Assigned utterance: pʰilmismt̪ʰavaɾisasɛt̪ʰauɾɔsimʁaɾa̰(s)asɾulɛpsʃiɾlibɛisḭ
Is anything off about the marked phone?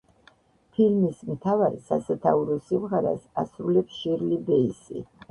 no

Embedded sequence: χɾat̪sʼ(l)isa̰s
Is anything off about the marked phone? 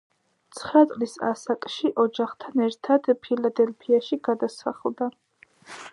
no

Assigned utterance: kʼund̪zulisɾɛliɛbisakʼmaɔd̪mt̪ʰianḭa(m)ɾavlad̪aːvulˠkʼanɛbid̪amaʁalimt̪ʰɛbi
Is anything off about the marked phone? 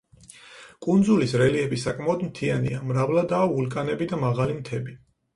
no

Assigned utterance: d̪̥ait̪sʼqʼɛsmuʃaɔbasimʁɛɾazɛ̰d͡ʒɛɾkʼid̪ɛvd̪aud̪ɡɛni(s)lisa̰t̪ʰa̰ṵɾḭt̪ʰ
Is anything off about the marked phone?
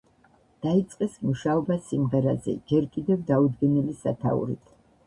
yes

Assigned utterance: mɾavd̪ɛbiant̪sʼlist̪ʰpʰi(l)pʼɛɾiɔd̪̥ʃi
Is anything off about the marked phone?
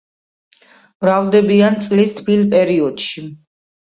no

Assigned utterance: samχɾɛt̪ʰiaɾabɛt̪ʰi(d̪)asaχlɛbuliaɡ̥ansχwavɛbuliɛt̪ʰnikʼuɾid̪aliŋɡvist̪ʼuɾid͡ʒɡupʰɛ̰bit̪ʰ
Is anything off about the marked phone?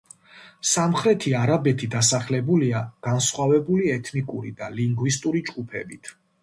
no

